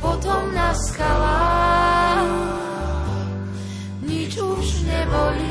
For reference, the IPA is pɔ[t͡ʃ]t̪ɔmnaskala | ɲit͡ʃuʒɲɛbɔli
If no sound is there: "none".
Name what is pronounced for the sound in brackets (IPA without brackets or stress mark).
none